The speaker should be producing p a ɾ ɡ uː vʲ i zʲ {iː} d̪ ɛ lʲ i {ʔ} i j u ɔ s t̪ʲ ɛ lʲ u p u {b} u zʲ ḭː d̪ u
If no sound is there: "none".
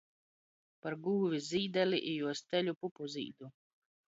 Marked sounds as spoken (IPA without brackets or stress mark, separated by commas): iː, ʔ, p